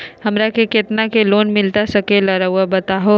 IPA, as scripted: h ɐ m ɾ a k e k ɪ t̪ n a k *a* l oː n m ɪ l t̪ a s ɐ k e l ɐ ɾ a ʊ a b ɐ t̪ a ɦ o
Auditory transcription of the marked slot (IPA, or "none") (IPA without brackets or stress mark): e